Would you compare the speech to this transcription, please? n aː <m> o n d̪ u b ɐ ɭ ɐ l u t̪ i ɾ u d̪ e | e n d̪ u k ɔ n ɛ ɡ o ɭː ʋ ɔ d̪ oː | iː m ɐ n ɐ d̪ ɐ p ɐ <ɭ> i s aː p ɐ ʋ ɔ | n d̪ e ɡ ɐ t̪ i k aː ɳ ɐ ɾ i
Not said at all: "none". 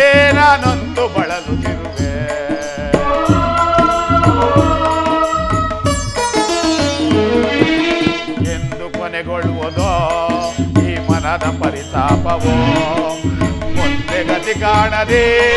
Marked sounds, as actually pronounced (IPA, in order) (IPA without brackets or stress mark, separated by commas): n, ɾ